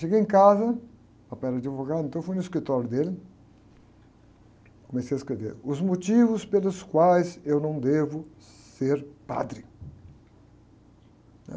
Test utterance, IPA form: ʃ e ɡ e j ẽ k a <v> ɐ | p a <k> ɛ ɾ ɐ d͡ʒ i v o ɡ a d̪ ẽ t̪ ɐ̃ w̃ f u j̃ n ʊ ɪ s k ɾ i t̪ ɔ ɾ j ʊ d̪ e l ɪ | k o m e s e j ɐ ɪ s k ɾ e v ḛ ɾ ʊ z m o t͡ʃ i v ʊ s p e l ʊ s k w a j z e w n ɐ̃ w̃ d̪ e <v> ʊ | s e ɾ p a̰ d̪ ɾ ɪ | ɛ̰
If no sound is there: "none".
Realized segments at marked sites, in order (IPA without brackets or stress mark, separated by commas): z, p, v